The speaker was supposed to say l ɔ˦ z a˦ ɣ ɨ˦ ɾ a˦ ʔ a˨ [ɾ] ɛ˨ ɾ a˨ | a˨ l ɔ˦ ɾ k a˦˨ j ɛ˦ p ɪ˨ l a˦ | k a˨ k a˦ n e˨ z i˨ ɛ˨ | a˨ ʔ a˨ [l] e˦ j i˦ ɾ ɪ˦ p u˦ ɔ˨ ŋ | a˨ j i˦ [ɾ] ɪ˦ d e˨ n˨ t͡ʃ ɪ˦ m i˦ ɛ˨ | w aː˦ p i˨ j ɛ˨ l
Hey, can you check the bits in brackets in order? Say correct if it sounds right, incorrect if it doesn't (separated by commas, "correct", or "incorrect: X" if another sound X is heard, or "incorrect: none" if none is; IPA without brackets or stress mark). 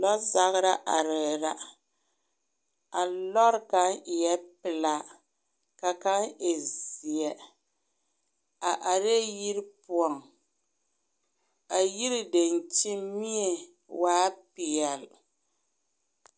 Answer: correct, incorrect: ɾ, correct